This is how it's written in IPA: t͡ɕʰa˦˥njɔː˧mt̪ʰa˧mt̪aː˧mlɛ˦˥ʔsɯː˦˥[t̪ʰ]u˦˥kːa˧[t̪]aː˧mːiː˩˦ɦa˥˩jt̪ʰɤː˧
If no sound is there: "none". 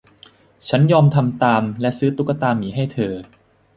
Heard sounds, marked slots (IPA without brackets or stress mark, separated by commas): t̪, t̪